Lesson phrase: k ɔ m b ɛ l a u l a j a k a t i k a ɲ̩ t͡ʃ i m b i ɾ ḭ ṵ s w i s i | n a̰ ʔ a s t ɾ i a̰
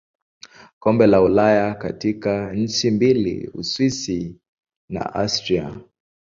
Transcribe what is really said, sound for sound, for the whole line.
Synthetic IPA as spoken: k ɔ m b ɛ l a u l a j a k a t i k a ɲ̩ t͡ʃ i m b i l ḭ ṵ s w i s i | n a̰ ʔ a s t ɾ i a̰

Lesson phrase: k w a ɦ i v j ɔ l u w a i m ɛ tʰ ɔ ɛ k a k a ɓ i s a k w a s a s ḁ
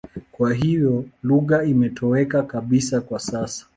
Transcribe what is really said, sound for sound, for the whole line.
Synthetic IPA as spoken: k w a ɦ i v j ɔ l u ɣ a i m ɛ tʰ ɔ ɛ k a k a ɓ i s a k w a s a s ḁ

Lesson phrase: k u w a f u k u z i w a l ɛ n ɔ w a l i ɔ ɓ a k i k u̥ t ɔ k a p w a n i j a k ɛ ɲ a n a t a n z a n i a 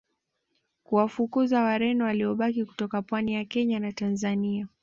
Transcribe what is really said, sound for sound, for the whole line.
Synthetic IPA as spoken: k u w a f u k u z a w a ɾ ɛ n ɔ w a l i ɔ ɓ a k i k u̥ t ɔ k a p w a n i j a k ɛ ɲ a n a t a n z a n i a

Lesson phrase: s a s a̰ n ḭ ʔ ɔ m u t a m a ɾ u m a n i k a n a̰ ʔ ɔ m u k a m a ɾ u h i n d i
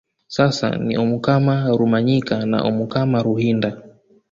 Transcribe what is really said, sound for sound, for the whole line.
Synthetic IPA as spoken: s a s a̰ n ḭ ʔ ɔ m u k a m a ɾ u m a ɲ i k a n a̰ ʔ ɔ m u k a m a ɾ u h i n d a

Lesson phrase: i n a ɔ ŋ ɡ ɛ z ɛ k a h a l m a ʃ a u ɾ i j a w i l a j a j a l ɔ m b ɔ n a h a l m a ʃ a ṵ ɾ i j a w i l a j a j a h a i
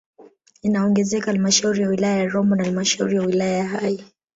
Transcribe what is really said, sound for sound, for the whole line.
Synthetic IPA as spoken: i n a ɔ ŋ ɡ ɛ z ɛ k a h a l m a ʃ a u ɾ i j a w i l a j a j a ɾ ɔ m b ɔ n a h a l m a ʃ a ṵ ɾ i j a w i l a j a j a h a i

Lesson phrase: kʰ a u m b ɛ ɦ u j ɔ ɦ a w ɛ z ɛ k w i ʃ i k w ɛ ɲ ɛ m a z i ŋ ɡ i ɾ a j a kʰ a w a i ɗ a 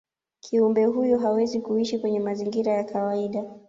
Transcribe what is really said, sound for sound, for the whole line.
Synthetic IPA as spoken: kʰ i u m b ɛ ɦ u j ɔ ɦ a w ɛ z i k u i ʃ i k w ɛ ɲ ɛ m a z i ŋ ɡ i ɾ a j a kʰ a w a i ɗ a

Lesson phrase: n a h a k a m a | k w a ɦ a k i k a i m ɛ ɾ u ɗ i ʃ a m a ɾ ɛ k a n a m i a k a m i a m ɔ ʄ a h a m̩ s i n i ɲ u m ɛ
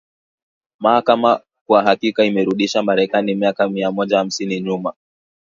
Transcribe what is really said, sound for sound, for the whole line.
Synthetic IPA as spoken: m a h a k a m a | k w a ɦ a k i k a i m ɛ ɾ u ɗ i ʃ a m a ɾ ɛ k a n i m i a k a m i a m ɔ ʄ a h a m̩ s i n i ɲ u m a

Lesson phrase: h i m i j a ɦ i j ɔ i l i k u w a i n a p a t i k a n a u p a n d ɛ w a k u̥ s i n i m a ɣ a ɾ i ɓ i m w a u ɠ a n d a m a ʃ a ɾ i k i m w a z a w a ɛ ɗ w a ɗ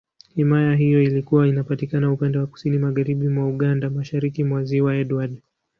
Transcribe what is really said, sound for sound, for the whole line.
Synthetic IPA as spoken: h i m a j a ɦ i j ɔ i l i k u w a i n a p a t i k a n a u p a n d ɛ w a k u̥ s i n i m a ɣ a ɾ i ɓ i m w a u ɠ a n d a m a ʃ a ɾ i k i m w a z i w a ɛ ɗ w a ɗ

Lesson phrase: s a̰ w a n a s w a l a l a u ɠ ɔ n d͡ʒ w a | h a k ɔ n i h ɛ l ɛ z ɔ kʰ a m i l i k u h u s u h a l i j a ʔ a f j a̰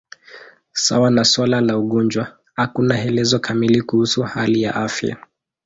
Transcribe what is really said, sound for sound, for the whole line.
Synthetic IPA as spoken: s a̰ w a n a s w a l a l a u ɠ ɔ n d͡ʒ w a | h a k u n a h ɛ l ɛ z ɔ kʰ a m i l i k u h u s u h a l i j a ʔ a f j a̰

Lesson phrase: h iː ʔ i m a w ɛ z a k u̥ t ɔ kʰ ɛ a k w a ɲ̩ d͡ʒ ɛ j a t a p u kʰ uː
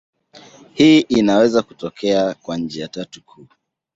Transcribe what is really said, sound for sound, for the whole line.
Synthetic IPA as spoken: h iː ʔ i n a w ɛ z a k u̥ t ɔ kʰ ɛ a k w a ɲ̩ d͡ʒ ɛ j a t a t u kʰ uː

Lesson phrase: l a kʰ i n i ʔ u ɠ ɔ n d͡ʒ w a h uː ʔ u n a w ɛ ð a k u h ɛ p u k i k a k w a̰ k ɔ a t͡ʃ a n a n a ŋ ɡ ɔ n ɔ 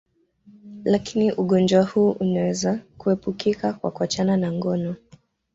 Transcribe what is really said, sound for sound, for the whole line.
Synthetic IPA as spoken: l a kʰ i n i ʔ u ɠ ɔ n d͡ʒ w a h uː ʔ u n a w ɛ z a k u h ɛ p u k i k a k w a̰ k u a t͡ʃ a n a n a ŋ ɡ ɔ n ɔ

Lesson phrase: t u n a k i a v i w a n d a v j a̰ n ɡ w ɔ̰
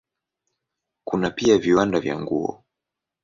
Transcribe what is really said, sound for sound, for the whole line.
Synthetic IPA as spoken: k u n a p i a v i w a n d a v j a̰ ŋ ɡ u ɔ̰

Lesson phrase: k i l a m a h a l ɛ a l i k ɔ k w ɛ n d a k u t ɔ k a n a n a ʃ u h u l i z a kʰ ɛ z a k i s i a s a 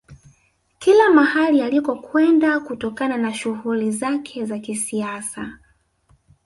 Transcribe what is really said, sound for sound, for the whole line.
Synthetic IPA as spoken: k i l a m a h a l i a l i k ɔ k w ɛ n d a k u t ɔ k a n a n a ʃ u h u l i z a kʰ ɛ z a k i s i a s a

